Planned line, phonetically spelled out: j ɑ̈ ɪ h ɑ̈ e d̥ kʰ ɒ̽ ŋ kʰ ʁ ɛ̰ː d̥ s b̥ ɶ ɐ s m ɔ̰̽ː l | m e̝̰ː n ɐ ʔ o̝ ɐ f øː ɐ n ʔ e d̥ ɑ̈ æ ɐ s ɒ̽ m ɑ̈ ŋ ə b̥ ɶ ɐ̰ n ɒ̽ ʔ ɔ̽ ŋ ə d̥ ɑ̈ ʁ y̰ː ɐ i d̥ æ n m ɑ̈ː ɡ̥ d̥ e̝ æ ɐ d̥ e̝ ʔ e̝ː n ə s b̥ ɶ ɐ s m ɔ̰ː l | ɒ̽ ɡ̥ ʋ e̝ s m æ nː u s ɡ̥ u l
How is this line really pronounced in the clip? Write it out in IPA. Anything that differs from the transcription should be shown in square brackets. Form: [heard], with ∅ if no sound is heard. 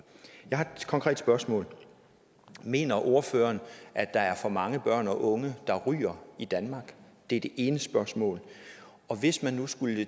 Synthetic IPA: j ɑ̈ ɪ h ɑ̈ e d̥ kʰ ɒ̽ ŋ kʰ ʁ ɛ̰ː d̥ s b̥ ɶ ɐ s m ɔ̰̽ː l | m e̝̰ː n ɐ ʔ o̝ ɐ f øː ɐ n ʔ [æ] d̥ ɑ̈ æ ɐ [f] ɒ̽ m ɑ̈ ŋ ə b̥ ɶ ɐ̰ n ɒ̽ ʔ ɔ̽ ŋ ə d̥ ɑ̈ ʁ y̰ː ɐ i d̥ æ n m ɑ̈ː ɡ̥ d̥ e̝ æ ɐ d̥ e̝ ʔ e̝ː n ə s b̥ ɶ ɐ s m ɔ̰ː l | ɒ̽ [∅] ʋ e̝ s m æ nː u s ɡ̥ u l

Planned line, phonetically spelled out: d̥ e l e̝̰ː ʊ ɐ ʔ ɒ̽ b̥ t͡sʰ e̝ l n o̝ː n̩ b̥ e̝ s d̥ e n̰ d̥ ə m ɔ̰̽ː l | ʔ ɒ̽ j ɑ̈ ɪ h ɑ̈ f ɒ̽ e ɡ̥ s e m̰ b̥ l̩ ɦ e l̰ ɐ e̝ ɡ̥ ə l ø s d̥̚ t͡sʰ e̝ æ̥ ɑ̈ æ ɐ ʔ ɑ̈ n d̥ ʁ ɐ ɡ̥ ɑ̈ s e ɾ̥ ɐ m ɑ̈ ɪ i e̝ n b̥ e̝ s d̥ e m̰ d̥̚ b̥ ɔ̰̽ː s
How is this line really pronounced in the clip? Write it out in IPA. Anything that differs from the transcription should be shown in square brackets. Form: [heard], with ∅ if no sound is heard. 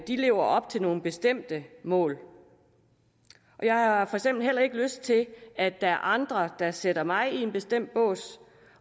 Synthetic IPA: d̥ [i] l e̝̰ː ʊ ɐ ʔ ɒ̽ b̥ t͡sʰ e̝ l n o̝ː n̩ b̥ e̝ s d̥ e [m̰] d̥ ə m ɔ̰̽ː l | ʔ ɒ̽ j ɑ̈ ɪ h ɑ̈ f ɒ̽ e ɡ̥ s e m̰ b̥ l̩ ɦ e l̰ ɐ e̝ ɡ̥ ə l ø s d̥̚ t͡sʰ e̝ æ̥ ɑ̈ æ ɐ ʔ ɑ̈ n d̥ ʁ ɐ [d̥] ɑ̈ s e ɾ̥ ɐ m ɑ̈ ɪ i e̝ n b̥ e̝ s d̥ e m̰ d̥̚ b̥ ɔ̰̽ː s

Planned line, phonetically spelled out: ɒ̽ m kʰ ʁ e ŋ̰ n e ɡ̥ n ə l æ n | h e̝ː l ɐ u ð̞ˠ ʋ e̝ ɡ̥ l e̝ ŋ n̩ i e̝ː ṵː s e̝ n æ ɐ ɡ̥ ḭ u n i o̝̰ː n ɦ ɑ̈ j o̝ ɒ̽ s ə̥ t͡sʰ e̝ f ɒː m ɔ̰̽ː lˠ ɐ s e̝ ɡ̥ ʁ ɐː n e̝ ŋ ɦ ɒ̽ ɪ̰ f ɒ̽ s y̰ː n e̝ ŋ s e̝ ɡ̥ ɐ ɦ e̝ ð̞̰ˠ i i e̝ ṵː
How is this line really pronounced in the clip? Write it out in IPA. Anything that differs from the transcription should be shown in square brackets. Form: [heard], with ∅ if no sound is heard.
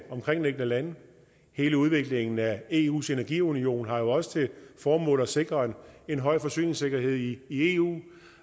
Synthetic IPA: ɒ̽ m kʰ ʁ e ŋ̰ n e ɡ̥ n ə l æ n | h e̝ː l [ə] u ð̞ˠ ʋ e̝ ɡ̥ l e̝ ŋ n̩ [æ] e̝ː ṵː s e̝ n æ ɐ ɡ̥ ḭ u n i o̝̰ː n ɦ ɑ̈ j o̝ ɒ̽ s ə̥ t͡sʰ e̝ f ɒː m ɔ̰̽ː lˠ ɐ s e̝ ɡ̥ ʁ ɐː n e̝ [n] ɦ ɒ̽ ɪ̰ f ɒ̽ s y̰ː n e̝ ŋ s e̝ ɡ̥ ɐ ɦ e̝ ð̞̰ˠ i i e̝ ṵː

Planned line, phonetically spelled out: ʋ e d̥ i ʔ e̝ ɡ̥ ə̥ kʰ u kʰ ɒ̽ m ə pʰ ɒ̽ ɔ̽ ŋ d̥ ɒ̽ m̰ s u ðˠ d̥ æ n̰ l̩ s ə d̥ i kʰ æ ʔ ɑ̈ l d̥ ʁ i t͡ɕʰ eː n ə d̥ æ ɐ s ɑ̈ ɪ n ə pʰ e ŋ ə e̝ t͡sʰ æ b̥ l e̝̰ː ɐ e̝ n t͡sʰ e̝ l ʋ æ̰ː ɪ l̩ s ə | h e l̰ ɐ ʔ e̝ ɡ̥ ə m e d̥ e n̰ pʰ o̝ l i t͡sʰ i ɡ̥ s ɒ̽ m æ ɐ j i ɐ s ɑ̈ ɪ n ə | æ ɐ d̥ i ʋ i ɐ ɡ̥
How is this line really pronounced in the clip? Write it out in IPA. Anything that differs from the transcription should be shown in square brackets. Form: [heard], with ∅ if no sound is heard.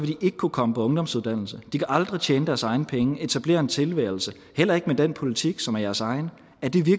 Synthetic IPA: ʋ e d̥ i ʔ e̝ ɡ̥ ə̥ kʰ u kʰ ɒ̽ m ə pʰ ɒ̽ ɔ̽ ŋ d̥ ɒ̽ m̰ s u ðˠ d̥ æ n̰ l̩ s ə d̥ i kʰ æ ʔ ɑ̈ l d̥ ʁ i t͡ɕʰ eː n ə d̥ æ ɐ s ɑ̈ ɪ n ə pʰ e ŋ ə e̝ t͡sʰ æ b̥ l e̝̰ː ɐ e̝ n t͡sʰ e̝ l ʋ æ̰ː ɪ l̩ s ə | h e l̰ ɐ [∅] e̝ ɡ̥ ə m e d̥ e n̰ pʰ o̝ l i t͡sʰ i ɡ̥ s ɒ̽ m æ ɐ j [æ] ɐ s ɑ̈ ɪ n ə | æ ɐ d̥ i ʋ i ɐ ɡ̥

